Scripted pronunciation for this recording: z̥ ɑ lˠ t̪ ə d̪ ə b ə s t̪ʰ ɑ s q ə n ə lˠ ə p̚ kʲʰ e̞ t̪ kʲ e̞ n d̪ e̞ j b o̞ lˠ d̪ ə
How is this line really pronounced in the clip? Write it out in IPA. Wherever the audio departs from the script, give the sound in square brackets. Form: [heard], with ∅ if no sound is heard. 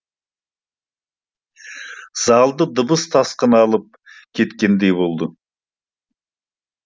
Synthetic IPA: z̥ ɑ lˠ [d̪] ə d̪ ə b ə s t̪ʰ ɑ s q ə n [ɑ] lˠ ə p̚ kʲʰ e̞ t̪ kʲ e̞ n d̪ e̞ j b o̞ lˠ d̪ ə